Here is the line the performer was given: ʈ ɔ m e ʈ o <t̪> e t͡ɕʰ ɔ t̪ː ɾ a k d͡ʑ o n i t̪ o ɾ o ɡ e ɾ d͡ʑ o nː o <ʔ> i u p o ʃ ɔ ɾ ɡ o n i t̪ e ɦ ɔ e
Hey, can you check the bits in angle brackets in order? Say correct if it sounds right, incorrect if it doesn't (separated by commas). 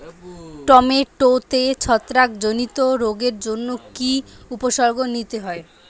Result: correct, incorrect